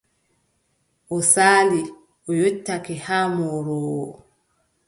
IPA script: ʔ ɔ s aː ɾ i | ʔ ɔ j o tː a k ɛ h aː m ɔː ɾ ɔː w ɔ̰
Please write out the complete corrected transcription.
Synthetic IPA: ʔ ɔ s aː l i | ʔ ɔ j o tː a k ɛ h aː m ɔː ɾ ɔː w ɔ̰